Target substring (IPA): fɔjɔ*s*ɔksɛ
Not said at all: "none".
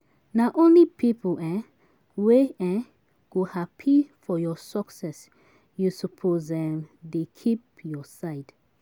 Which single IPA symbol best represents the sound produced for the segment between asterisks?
s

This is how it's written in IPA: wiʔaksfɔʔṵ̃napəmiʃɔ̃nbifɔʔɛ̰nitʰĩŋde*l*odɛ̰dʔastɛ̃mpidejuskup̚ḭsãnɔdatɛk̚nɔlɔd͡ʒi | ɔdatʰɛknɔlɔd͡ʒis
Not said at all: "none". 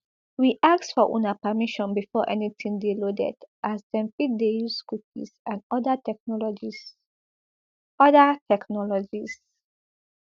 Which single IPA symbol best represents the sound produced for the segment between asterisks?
l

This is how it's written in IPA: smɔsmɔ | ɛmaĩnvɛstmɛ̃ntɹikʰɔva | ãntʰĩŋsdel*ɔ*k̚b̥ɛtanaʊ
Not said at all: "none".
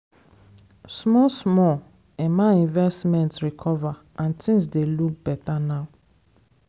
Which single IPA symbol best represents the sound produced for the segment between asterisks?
u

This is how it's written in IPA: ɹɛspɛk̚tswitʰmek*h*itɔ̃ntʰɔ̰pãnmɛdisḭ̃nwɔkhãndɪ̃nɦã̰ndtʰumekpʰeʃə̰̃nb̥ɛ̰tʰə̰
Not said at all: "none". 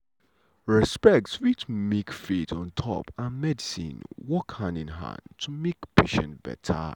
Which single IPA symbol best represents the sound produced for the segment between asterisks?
f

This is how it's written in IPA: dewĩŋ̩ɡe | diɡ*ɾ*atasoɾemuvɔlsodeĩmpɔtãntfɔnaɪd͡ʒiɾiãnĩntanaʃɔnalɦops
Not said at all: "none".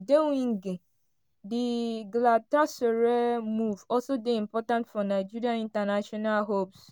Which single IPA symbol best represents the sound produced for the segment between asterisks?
l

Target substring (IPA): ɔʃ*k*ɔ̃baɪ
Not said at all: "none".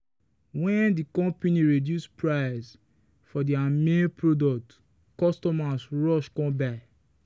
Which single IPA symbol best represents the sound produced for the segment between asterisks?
k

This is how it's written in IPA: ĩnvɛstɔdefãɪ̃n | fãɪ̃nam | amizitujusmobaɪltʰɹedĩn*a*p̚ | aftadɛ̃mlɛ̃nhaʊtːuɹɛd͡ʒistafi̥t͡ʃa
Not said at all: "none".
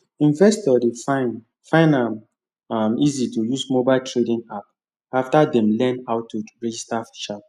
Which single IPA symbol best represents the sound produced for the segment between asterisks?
a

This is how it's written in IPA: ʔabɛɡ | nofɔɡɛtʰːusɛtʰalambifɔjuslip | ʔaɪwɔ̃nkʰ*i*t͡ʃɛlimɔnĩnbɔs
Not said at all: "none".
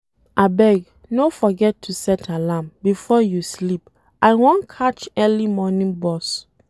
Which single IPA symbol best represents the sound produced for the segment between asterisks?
a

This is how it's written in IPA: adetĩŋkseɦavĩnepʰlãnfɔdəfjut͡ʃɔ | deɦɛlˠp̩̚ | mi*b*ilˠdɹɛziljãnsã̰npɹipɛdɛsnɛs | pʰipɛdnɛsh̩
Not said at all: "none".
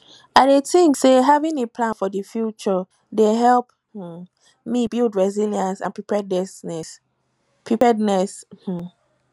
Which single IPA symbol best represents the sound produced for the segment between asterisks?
b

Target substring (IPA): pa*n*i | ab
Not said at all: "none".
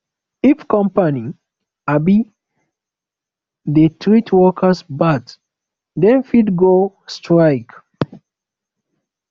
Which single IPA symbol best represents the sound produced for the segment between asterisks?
n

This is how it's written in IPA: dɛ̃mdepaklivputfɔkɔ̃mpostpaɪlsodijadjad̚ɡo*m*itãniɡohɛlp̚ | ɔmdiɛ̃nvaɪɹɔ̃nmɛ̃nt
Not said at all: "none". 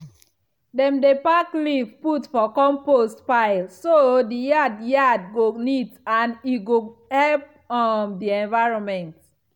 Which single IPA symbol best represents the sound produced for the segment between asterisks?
n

